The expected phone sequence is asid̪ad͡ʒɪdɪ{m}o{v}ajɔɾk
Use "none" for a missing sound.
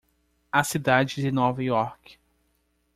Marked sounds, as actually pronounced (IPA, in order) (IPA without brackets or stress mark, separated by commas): n, v